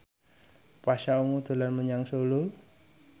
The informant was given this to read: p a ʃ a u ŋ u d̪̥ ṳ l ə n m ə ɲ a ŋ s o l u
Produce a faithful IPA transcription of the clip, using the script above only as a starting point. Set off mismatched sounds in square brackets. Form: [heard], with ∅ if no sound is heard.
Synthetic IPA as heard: p a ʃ a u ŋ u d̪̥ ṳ l [a] n m ə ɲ a ŋ s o l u